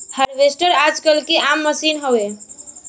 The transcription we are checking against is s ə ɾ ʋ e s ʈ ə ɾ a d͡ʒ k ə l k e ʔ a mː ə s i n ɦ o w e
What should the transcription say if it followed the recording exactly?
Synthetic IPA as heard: h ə ɾ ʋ e s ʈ ə ɾ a d͡ʒ k ə l k e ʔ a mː ə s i n ɦ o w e